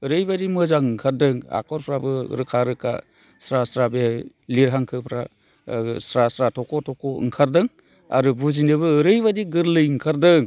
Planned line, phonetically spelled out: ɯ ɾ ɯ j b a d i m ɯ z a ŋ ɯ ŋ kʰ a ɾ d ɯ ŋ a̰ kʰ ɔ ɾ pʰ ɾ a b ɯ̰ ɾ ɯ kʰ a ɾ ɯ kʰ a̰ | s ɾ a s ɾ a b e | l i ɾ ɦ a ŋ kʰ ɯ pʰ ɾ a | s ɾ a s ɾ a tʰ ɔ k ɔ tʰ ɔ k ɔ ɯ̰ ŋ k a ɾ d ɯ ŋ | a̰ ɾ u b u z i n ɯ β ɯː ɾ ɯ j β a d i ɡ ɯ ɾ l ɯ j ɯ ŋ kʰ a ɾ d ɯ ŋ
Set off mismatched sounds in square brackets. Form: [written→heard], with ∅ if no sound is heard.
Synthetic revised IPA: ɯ ɾ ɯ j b a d i m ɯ z a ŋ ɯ ŋ kʰ a ɾ d ɯ ŋ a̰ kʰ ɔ ɾ pʰ ɾ a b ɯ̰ ɾ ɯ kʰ a ɾ ɯ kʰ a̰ | s ɾ a s ɾ a b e | l i ɾ ɦ a ŋ kʰ ɯ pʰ ɾ a | s ɾ a s ɾ a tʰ ɔ k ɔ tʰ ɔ k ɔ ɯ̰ ŋ [k→kʰ] a ɾ d ɯ ŋ | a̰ ɾ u b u z i n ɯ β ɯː ɾ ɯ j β a d i ɡ ɯ ɾ l ɯ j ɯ ŋ kʰ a ɾ d ɯ ŋ